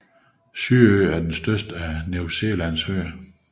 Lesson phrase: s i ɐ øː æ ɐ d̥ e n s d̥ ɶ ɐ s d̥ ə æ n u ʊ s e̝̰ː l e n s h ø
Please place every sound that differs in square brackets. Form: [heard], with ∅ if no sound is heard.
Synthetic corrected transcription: s [y] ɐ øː æ ɐ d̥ e n s d̥ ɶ ɐ s d̥ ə æ n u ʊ s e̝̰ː l [æ] n s h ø